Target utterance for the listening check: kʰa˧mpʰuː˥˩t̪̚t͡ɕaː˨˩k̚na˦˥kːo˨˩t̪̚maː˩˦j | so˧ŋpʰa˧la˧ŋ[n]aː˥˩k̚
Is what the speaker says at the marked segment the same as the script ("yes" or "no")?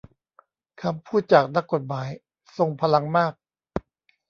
no